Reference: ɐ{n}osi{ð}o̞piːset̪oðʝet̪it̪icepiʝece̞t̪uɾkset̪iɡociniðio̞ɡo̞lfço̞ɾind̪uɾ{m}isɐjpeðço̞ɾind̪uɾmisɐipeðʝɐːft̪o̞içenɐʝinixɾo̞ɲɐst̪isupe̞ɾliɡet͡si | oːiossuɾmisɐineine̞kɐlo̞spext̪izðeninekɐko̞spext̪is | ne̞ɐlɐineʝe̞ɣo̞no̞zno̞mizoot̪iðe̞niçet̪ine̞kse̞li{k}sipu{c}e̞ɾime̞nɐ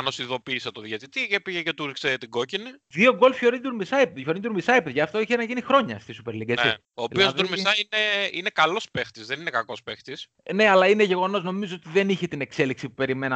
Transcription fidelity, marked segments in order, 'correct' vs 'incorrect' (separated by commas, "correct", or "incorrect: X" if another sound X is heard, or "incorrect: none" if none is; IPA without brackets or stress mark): correct, correct, correct, correct, incorrect: p